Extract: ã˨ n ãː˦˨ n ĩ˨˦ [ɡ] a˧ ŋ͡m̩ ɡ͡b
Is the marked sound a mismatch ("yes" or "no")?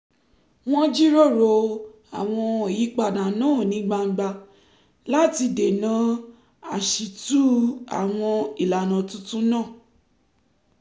yes